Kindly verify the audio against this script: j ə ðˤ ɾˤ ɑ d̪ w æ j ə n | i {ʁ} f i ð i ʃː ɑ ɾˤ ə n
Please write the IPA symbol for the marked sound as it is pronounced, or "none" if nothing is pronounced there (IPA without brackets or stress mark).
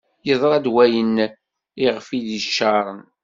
ʁ